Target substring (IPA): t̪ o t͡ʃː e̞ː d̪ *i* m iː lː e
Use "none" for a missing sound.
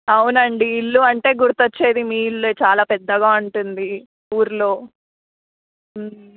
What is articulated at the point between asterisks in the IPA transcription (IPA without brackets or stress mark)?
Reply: i